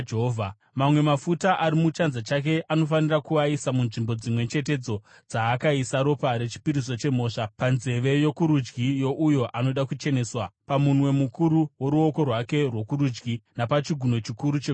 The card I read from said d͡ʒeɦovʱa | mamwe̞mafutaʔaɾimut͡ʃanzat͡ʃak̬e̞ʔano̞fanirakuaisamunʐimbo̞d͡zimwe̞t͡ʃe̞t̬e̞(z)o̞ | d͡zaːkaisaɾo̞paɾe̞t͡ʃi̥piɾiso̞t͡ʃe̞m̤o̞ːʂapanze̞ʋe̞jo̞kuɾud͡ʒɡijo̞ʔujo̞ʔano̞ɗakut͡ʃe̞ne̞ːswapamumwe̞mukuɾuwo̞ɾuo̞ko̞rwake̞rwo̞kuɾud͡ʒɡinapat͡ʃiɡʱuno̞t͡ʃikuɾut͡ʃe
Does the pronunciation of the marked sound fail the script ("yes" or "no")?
yes